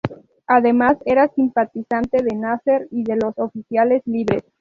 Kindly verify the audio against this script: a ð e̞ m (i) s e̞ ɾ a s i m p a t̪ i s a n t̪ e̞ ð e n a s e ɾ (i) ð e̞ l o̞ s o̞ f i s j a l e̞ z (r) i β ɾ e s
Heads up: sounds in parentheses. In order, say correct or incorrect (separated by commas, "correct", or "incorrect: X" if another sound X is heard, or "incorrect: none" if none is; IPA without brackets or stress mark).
incorrect: a, correct, incorrect: l